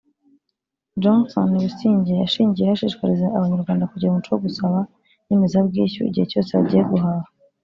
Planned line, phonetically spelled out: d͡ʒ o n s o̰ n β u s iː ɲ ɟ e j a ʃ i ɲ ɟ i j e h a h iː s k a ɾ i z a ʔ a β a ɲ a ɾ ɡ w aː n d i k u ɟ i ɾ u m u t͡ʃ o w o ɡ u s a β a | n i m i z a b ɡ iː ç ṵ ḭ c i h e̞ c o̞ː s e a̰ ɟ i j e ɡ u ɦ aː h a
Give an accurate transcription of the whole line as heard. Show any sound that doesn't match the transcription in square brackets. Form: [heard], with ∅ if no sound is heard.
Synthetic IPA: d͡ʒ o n s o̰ n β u s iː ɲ ɟ e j a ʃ [iː] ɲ ɟ i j e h a [ʃ] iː [ʃ] k a ɾ i z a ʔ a β a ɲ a ɾ ɡ w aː n d [a] k u ɟ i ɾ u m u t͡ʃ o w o ɡ u s a β a | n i m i z a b ɡ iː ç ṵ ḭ [ɟ] i h e̞ c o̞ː s e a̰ ɟ i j e ɡ u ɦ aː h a